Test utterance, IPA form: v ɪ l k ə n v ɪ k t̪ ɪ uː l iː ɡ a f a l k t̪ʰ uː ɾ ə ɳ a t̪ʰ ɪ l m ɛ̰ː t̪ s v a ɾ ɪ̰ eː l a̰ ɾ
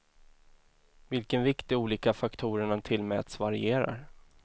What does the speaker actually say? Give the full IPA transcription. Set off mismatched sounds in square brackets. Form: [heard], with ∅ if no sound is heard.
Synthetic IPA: v ɪ l k ə n v ɪ k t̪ ɪ uː l iː [k] a f a [∅] k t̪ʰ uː ɾ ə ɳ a t̪ʰ ɪ l m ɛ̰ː t̪ s v a ɾ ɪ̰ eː [ɾ] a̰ ɾ